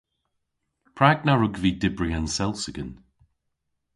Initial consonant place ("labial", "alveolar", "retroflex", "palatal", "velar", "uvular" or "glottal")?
labial